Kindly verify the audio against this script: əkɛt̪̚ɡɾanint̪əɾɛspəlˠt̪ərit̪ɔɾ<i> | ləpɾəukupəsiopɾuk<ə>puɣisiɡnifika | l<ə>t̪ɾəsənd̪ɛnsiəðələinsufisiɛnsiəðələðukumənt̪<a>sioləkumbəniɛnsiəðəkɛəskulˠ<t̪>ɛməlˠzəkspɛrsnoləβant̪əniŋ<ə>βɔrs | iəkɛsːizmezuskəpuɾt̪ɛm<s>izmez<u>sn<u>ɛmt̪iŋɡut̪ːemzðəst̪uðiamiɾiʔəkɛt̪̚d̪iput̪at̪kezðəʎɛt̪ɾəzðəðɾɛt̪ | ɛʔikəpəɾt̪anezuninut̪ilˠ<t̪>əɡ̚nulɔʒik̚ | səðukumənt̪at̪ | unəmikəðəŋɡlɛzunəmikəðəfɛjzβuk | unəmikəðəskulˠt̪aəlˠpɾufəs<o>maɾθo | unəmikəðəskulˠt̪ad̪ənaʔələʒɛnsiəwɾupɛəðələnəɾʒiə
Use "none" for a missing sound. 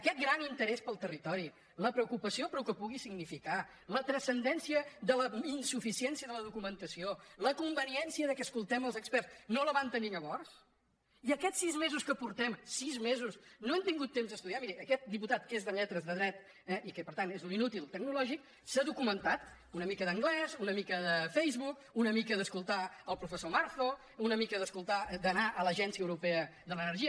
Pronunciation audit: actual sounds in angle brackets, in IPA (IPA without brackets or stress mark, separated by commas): i, ə, ə, ə, t̪, ə, s, u, o, t̪, o